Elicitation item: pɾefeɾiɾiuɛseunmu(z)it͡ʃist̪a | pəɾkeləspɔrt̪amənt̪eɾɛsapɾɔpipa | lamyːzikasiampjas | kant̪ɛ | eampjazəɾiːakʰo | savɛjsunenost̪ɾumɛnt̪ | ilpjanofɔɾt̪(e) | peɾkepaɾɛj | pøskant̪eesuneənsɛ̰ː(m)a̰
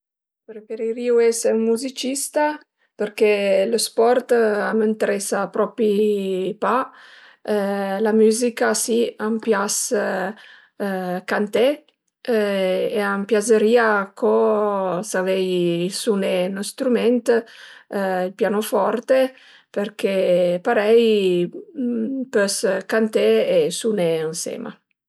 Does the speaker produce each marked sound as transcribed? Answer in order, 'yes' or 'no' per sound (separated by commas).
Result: yes, yes, yes